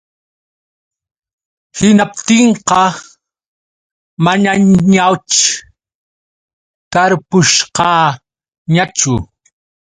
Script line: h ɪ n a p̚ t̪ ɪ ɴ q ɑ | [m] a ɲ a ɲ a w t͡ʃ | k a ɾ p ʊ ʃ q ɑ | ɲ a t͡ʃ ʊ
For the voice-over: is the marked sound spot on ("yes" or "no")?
yes